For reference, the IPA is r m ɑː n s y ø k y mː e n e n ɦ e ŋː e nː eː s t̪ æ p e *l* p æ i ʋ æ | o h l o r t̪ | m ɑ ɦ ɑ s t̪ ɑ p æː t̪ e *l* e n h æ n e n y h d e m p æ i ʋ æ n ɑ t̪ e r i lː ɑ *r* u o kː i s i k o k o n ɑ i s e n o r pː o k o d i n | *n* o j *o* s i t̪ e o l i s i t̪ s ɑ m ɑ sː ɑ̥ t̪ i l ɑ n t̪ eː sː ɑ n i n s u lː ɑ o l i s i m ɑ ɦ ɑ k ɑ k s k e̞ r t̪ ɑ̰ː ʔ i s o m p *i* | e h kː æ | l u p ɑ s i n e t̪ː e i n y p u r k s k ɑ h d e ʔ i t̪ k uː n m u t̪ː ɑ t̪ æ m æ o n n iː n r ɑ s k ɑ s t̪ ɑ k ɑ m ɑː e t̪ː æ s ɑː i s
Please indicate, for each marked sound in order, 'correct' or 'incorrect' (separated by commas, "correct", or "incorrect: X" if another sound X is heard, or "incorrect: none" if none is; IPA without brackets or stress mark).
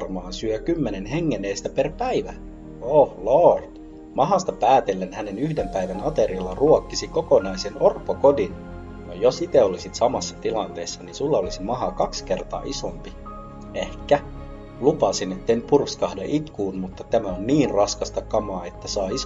incorrect: r, incorrect: lː, correct, correct, correct, correct